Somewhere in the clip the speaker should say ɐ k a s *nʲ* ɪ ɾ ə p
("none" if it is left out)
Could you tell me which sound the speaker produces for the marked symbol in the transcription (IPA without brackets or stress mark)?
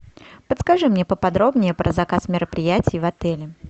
mʲ